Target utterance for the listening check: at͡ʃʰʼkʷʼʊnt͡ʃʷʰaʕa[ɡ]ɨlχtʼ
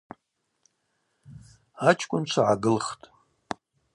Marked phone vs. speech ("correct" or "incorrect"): correct